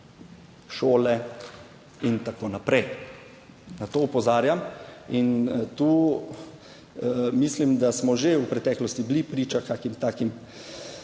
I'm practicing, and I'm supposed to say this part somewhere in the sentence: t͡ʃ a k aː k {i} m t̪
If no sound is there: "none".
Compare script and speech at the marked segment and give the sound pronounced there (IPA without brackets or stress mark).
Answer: i